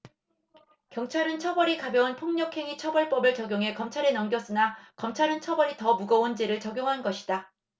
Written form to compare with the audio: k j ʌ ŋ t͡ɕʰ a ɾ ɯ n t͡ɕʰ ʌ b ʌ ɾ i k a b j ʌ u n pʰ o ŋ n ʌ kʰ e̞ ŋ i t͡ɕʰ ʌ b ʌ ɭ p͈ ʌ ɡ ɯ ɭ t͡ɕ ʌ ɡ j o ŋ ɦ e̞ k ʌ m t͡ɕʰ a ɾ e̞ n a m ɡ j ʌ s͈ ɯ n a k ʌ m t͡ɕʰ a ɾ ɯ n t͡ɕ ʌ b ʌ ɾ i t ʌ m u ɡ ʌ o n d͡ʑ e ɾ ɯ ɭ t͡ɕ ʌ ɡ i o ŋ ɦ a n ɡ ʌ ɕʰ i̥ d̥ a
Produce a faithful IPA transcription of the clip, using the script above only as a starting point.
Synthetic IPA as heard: k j ʌ ŋ t͡ɕʰ a ɾ ɯ n t͡ɕʰ ʌ b ʌ ɾ i k a b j ʌ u n pʰ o ŋ ɲ ʌ kʰ e̞ ŋ i t͡ɕʰ ʌ b ʌ ɭ p͈ ʌ b ɯ ɭ t͡ɕ ʌ ɡ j o ŋ ɦ e̞ k ʌ m t͡ɕʰ a ɾ e̞ n ʌ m ɡ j ʌ s͈ ɯ n a k ʌ m t͡ɕʰ a ɾ ɯ n t͡ɕʰ ʌ b ʌ ɾ i t ʌ m u ɡ ʌ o n d͡ʑ e ɾ ɯ ɭ t͡ɕ ʌ ɡ j o ŋ ɦ a n ɡ ʌ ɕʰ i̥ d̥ a

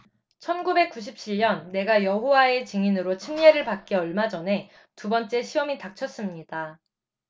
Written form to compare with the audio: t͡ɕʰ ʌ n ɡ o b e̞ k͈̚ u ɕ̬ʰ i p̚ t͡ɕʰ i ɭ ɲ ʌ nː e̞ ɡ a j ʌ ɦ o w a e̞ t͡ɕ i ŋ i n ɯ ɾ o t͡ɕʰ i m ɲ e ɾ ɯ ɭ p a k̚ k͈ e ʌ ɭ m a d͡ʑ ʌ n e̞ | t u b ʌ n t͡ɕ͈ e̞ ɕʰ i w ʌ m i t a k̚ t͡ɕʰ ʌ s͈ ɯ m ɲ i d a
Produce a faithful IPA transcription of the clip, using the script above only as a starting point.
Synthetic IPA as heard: t͡ɕʰ ʌ n ɡ u b e̞ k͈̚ u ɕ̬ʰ i p̚ t͡ɕʰ i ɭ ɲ ʌ nː e̞ ɡ a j ʌ ɦ o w a e̞ t͡ɕ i ŋ i n ɯ ɾ o t͡ɕʰ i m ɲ e ɾ ɯ ɭ p a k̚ k͈ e ʌ ɭ m a d͡ʑ ʌ n e̞ | t u b ʌ n t͡ɕ͈ e̞ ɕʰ i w ʌ m i t a k̚ t͡ɕʰ ʌ s͈ ɯ m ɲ i d a

